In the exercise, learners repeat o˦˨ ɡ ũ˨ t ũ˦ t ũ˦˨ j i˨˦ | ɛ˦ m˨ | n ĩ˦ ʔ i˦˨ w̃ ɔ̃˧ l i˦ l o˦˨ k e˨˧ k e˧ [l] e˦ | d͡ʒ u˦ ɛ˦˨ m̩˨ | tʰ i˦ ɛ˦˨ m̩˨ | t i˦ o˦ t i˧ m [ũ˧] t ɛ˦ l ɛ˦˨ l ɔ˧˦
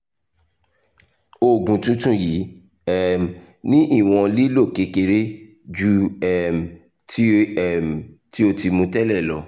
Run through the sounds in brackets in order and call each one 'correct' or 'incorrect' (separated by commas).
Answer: incorrect, correct